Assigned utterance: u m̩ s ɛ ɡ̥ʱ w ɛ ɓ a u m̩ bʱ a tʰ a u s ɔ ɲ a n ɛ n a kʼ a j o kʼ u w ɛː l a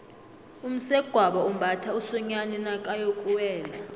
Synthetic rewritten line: u m̩ s ɛ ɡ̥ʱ w a ɓ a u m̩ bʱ a tʰ a u s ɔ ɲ a n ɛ n a kʼ a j o kʼ u w ɛː l a